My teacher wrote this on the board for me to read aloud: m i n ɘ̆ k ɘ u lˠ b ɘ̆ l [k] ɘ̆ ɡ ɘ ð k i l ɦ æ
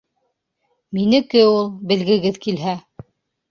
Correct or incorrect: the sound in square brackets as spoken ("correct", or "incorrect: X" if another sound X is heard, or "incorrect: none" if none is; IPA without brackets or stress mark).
incorrect: ɡ